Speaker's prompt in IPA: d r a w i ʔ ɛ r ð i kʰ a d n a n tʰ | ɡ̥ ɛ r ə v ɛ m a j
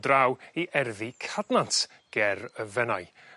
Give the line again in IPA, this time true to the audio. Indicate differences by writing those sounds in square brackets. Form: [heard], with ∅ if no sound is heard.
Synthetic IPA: d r a w i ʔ ɛ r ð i kʰ a d n a n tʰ | ɡ̥ ɛ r ə v ɛ [n] a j